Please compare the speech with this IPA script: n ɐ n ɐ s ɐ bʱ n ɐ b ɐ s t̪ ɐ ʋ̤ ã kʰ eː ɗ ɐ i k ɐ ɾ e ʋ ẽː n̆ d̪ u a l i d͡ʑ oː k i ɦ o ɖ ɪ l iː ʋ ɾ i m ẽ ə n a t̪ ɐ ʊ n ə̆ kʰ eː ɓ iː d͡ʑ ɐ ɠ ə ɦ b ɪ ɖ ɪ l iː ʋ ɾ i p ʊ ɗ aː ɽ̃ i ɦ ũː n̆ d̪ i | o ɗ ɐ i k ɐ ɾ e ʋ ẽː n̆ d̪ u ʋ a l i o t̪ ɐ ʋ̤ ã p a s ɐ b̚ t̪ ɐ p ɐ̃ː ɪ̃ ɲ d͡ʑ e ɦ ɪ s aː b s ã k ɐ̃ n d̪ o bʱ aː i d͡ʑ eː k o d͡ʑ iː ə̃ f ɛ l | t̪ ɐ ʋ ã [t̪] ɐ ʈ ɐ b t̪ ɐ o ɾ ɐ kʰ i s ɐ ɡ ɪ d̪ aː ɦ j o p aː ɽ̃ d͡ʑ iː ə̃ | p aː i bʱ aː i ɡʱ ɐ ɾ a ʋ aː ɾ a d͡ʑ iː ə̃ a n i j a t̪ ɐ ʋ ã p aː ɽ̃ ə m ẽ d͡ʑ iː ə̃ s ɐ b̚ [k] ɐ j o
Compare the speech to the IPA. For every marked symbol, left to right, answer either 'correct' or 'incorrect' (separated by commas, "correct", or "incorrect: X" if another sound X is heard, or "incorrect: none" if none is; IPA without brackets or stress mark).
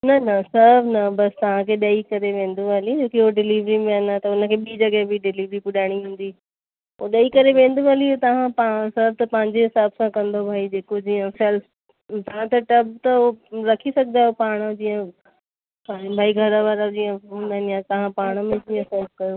correct, correct